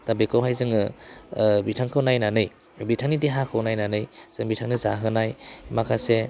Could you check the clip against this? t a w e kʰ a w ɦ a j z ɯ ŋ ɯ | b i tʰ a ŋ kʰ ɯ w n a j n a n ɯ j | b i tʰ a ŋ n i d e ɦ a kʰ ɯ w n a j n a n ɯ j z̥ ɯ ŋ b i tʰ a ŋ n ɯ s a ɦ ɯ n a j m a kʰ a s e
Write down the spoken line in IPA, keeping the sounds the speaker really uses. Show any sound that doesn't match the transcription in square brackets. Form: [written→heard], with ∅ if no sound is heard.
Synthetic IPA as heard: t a [w→b] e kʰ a w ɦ a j z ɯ ŋ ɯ | b i tʰ a ŋ kʰ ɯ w n a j n a n ɯ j | b i tʰ a ŋ n i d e ɦ a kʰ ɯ w n a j n a n ɯ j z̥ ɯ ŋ b i tʰ a ŋ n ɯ [s→z] a ɦ ɯ n a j m a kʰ a s e